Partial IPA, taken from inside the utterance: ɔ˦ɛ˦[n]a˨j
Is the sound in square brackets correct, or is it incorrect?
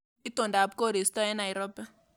correct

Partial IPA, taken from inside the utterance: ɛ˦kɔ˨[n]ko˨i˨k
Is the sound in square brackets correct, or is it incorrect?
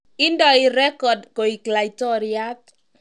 incorrect: d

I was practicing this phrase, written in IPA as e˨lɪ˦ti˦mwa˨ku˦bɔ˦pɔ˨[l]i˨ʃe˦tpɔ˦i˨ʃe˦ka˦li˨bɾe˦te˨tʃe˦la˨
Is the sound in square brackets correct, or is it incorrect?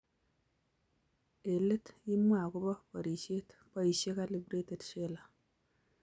incorrect: ɾ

